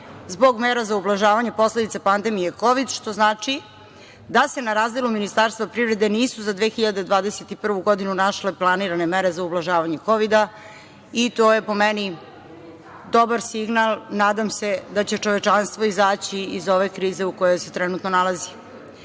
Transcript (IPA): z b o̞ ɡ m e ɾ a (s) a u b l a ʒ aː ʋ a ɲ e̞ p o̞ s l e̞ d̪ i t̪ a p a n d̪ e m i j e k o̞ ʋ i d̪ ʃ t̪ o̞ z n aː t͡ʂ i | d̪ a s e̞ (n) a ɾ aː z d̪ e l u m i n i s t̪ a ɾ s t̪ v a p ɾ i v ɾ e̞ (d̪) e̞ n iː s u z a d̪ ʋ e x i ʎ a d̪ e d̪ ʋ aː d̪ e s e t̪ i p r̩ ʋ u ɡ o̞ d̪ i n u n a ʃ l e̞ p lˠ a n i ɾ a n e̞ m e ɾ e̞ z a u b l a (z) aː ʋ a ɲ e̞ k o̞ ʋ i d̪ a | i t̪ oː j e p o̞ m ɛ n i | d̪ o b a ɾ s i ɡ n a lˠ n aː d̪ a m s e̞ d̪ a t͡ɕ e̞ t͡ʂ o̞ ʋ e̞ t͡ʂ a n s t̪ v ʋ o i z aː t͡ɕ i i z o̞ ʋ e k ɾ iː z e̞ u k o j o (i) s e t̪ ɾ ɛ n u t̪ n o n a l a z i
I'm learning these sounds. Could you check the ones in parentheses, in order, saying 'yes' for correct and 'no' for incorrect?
no, yes, yes, no, no

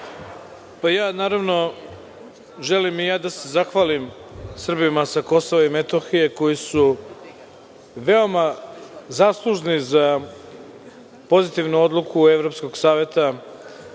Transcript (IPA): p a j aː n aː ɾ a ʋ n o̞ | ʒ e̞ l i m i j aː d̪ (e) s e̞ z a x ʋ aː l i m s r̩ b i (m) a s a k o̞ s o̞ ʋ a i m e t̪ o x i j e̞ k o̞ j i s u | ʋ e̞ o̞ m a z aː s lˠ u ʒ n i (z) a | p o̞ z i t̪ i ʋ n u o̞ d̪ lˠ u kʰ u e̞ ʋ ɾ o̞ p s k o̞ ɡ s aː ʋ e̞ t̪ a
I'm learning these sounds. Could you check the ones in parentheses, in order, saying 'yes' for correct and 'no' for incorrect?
no, yes, yes

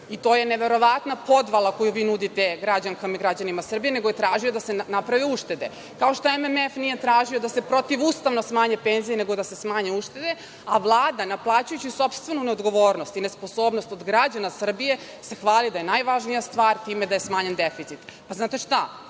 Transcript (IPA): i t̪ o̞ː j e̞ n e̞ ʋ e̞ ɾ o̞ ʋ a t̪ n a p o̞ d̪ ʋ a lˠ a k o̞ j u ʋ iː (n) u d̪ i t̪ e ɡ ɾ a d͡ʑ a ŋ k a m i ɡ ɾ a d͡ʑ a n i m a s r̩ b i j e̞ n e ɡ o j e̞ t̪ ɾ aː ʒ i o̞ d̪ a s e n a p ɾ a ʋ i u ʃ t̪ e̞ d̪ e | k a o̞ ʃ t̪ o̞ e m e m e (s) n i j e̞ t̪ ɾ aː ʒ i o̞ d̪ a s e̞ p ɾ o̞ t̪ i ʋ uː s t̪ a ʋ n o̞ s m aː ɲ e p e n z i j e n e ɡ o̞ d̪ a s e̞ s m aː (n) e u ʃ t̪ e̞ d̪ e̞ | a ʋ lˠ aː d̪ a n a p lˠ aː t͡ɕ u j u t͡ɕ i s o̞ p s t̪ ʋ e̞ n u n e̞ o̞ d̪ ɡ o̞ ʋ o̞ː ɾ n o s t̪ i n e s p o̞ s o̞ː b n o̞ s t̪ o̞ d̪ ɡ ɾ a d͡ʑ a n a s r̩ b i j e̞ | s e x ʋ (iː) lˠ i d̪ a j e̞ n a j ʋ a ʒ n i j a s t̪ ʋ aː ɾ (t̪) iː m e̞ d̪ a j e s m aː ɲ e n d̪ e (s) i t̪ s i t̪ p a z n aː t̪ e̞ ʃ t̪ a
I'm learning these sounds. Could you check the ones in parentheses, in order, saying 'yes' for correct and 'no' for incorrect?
yes, no, no, no, yes, no

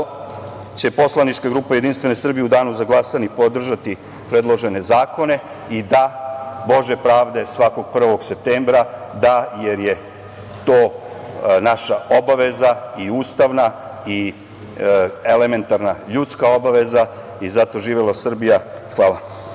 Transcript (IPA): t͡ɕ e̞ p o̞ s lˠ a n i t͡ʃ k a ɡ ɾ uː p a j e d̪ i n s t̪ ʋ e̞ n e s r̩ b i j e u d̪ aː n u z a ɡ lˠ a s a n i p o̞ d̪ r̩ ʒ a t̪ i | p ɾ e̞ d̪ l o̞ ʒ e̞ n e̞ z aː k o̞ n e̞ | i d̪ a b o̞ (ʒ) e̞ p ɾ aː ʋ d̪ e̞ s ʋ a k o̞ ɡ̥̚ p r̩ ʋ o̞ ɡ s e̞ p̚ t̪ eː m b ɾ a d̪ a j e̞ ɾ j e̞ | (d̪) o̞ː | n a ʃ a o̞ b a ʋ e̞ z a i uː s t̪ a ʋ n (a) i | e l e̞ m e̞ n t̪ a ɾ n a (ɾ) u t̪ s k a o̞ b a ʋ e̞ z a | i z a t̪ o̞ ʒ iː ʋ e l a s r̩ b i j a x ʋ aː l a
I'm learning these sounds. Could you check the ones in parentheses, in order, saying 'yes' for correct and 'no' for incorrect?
yes, no, yes, no

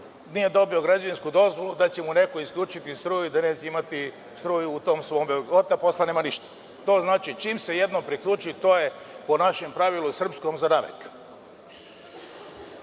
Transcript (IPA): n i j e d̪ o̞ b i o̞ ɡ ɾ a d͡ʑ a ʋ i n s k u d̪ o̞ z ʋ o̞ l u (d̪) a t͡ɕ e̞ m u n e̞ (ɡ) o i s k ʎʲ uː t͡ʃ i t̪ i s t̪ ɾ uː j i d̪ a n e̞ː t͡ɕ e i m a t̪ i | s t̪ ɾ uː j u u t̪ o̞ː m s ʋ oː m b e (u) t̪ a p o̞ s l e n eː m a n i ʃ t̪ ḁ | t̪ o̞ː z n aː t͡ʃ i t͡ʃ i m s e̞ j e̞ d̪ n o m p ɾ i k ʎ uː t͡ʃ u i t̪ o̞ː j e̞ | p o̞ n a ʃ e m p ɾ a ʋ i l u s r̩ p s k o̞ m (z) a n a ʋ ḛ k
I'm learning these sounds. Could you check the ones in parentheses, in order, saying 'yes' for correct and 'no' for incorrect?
yes, no, no, yes

